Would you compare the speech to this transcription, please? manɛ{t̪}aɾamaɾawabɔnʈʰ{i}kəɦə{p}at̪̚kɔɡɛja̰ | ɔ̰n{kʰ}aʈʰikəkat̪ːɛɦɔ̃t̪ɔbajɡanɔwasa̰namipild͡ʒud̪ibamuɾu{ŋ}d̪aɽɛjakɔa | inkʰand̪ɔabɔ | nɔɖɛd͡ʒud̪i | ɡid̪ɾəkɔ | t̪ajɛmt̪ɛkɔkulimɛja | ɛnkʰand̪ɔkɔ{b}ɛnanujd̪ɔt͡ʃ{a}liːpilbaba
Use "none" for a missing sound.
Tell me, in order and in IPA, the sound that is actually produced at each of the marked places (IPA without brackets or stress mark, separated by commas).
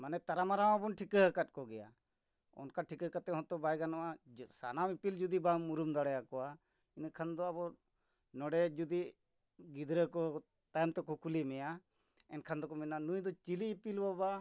t̪, i, k, k, m, m, i